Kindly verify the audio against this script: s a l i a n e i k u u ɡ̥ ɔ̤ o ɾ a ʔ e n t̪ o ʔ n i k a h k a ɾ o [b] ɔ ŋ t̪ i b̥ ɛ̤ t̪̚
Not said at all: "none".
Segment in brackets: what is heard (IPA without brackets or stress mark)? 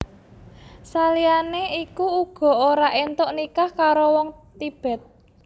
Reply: w